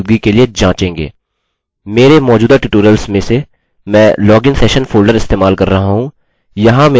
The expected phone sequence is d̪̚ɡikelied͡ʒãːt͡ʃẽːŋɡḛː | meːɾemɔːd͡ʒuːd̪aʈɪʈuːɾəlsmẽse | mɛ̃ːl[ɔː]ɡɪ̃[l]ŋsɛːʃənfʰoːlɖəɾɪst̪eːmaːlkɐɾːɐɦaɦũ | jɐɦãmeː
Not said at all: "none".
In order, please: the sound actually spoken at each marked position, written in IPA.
ɔː, none

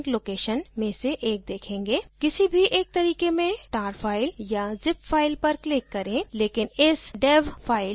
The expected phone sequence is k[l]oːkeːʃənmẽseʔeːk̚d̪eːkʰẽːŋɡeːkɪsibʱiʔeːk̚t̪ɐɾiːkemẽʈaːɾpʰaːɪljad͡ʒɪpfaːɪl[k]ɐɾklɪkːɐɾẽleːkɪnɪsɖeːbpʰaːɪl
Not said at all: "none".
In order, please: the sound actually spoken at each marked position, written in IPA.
l, p

